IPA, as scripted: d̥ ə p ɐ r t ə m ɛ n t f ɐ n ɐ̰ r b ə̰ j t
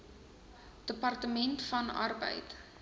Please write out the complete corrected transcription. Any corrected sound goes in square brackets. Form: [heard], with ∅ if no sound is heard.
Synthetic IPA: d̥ ə p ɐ r t ə m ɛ n t f ɐ n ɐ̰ r b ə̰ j t